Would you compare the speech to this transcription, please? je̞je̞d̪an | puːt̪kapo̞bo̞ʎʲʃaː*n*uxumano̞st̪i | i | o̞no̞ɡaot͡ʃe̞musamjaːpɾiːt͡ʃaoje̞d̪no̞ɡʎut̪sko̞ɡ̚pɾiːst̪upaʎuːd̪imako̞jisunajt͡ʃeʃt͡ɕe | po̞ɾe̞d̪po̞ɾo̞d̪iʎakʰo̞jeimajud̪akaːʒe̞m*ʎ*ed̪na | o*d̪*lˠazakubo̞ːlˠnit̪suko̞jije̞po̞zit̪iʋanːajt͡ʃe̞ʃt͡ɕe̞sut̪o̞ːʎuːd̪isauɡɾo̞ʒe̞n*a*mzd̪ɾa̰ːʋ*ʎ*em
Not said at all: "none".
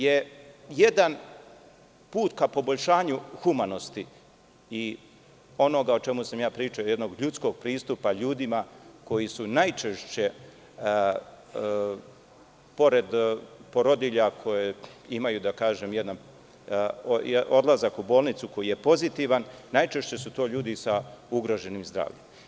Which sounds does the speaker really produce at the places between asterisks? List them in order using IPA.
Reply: ɲ, j, d̪, i, ʎ

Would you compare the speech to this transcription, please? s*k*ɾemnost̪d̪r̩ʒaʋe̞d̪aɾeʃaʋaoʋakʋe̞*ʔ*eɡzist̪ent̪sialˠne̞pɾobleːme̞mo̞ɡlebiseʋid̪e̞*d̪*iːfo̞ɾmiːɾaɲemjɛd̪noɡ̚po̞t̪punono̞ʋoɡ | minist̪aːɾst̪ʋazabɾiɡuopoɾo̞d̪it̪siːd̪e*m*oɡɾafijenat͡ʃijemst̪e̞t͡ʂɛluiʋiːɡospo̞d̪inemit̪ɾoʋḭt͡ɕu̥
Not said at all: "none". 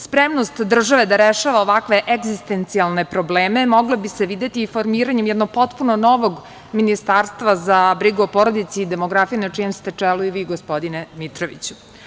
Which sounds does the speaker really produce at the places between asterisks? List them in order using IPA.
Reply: p, ʔ, t̪, m

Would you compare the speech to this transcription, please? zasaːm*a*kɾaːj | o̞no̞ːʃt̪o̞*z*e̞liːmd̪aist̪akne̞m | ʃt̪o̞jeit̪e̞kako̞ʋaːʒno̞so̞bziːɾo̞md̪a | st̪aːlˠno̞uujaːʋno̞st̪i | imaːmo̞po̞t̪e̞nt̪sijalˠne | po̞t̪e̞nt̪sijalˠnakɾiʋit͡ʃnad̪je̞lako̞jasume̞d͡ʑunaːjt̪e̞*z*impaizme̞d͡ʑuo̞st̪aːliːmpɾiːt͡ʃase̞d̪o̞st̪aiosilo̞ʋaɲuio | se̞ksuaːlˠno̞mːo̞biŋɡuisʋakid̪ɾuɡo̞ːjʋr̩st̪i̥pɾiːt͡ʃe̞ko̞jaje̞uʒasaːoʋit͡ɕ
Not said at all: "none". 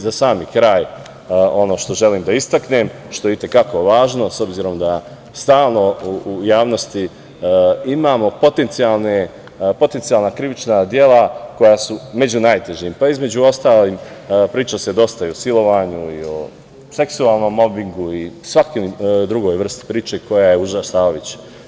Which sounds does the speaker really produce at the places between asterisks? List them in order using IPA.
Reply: i, ʒ, ʒ

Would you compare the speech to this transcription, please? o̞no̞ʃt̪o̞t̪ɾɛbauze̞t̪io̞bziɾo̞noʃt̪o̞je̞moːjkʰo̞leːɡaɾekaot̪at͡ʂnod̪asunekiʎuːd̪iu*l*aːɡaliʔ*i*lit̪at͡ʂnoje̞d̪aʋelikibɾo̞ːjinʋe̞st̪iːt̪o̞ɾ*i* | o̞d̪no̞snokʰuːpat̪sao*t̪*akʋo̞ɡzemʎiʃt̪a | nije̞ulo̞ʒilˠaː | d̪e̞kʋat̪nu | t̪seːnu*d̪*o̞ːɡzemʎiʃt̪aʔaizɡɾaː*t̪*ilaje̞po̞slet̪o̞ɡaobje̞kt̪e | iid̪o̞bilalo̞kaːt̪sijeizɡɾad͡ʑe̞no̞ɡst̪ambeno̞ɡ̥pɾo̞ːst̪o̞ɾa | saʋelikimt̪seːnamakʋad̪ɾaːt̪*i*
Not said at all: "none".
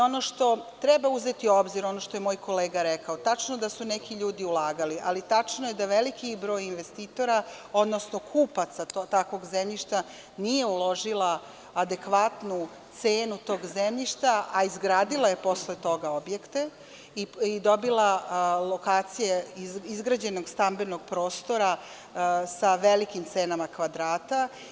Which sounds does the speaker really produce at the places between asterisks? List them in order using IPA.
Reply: l, a, a, t̪, t̪, d̪, a

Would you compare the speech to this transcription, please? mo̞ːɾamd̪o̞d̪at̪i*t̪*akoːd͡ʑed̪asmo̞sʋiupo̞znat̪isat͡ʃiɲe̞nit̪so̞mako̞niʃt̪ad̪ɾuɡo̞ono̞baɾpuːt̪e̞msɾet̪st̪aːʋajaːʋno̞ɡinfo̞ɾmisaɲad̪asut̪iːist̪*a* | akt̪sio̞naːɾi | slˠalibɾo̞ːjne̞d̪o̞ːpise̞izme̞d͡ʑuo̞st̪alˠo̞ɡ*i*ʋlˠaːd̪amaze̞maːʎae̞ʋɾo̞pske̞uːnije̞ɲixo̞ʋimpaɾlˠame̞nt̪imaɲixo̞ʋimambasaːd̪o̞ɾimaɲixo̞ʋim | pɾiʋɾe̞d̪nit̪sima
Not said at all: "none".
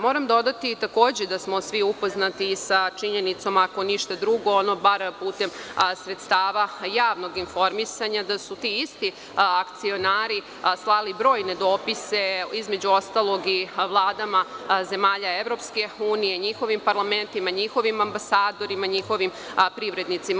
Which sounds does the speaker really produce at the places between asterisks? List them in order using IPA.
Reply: t̪, i, i

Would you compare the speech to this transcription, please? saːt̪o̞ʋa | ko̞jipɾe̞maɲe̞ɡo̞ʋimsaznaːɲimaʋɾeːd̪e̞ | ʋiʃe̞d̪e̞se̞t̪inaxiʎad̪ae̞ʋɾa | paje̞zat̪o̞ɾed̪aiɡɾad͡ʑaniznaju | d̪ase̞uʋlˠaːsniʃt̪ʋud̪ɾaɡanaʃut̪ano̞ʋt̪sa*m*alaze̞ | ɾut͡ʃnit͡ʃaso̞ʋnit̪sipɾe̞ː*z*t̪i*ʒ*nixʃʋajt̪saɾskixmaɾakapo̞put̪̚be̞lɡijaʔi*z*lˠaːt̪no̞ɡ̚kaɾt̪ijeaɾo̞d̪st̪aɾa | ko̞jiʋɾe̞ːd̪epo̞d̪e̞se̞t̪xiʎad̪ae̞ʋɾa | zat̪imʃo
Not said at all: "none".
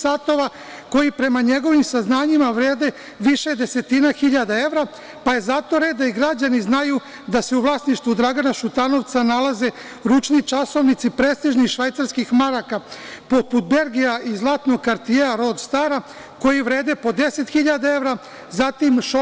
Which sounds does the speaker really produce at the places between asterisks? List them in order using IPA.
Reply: n, s, ʒ, z

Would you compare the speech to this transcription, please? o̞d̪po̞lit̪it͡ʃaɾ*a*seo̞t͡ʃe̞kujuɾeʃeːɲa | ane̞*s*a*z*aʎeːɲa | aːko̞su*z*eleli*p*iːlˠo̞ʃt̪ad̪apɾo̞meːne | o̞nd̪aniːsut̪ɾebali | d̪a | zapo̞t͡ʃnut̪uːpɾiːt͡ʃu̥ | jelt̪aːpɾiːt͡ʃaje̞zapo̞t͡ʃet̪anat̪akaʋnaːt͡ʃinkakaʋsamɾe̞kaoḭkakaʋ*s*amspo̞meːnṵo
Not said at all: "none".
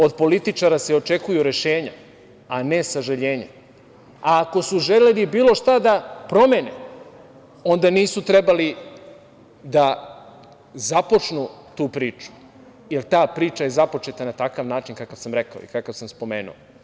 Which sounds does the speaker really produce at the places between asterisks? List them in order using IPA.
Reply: a, s, ʒ, ʒ, b, s

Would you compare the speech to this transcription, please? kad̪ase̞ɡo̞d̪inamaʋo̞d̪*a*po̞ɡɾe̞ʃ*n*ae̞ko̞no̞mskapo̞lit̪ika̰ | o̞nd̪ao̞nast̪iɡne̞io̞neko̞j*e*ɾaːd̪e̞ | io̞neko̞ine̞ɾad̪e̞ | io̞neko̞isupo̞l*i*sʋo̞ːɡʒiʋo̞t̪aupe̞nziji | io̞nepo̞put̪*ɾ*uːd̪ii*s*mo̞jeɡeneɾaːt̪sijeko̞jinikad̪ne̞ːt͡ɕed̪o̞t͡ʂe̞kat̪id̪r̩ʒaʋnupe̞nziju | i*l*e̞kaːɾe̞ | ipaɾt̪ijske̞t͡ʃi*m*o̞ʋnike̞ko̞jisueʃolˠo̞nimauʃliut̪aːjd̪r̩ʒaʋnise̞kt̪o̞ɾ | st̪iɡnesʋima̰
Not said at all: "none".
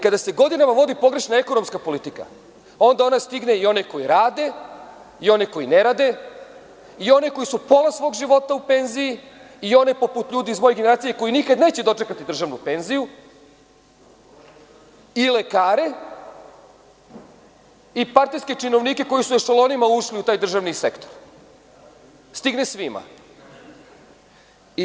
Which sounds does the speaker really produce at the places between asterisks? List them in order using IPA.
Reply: i, n, i, a, ʎ, z, l, n

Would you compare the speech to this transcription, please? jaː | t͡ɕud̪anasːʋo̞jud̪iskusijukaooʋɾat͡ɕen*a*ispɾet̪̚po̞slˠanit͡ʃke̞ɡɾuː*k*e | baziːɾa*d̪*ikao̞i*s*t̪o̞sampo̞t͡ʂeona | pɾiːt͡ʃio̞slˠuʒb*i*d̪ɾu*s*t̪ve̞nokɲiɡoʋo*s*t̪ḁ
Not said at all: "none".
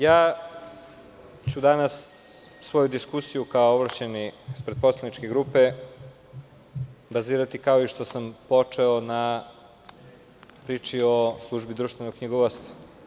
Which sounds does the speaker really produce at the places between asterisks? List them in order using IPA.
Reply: i, p, t̪, ʃ, i, ʃ, s

